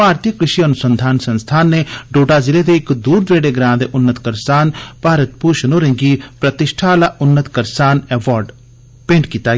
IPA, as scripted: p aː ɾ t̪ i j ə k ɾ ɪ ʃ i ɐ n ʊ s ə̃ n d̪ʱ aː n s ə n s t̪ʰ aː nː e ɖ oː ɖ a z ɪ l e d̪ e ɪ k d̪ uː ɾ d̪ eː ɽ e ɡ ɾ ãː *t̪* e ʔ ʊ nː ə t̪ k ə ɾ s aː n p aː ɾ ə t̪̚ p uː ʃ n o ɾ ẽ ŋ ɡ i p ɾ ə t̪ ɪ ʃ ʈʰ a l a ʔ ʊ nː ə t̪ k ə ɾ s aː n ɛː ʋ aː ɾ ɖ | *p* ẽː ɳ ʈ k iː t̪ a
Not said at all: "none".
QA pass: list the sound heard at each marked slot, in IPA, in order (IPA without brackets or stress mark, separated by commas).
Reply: d̪, p